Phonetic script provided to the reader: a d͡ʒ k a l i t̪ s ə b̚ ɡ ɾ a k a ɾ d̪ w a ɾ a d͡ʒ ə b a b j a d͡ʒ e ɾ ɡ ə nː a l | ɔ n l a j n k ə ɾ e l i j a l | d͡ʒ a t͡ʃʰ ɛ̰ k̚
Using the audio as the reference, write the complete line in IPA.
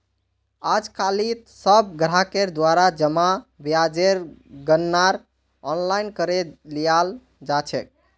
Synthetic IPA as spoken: a d͡ʒ k a l i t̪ s ə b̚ ɡ ɾ a k e ɾ d̪ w a ɾ a d͡ʒ ə m a b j a d͡ʒ e ɾ ɡ ə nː a ɾ | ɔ n l a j n k ə ɾ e l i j a l | d͡ʒ a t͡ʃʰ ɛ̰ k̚